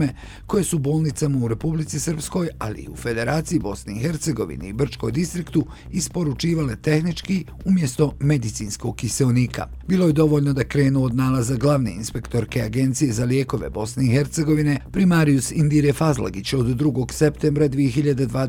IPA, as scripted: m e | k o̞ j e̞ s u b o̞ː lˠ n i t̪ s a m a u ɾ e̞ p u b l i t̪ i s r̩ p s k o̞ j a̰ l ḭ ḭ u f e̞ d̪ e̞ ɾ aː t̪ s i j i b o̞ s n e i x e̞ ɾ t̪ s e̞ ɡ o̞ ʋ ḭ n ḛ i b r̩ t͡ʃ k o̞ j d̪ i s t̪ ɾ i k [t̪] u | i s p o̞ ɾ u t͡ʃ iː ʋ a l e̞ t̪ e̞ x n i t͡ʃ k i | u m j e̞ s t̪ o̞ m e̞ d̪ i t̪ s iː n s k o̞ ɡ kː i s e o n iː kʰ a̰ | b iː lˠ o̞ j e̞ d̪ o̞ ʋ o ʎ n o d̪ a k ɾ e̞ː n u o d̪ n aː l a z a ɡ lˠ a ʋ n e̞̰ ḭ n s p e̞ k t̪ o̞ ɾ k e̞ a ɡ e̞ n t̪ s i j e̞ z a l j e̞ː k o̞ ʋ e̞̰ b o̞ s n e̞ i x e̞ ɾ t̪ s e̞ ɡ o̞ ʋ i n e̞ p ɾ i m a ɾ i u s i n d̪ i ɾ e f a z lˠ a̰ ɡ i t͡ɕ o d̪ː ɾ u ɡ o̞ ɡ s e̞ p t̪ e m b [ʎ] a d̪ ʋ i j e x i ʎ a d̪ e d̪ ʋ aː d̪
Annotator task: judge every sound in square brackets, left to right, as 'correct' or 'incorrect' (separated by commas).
correct, incorrect